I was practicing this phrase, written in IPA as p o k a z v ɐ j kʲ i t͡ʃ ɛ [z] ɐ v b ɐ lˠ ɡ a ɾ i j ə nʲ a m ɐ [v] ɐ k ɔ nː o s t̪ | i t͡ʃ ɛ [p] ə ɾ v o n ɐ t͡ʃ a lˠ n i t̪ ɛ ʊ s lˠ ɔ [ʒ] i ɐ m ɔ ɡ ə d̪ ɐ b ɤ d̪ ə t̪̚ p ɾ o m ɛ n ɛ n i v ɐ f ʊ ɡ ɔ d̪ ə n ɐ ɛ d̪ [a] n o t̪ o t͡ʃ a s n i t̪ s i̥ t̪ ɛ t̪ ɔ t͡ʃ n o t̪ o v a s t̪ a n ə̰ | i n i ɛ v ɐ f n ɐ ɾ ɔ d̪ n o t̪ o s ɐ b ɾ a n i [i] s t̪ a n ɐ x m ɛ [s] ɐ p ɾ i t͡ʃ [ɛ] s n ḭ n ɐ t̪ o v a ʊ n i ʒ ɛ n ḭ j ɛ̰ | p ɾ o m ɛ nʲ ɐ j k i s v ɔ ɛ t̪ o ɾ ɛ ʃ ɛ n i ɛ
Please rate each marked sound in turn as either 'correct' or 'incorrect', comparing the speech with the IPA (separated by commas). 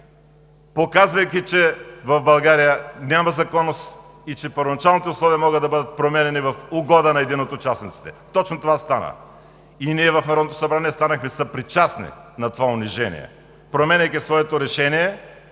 incorrect, incorrect, correct, incorrect, incorrect, incorrect, correct, incorrect